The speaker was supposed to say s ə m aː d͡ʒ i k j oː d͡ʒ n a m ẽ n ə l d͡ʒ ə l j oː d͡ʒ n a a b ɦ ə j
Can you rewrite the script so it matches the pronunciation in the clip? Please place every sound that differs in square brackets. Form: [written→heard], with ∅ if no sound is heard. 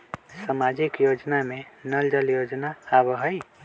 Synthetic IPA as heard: s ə m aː d͡ʒ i k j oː d͡ʒ n a m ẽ n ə l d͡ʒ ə l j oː d͡ʒ n a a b ɦ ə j